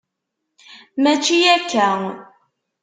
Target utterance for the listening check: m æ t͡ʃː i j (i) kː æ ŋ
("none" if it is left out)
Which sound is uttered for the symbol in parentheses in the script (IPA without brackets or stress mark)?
æ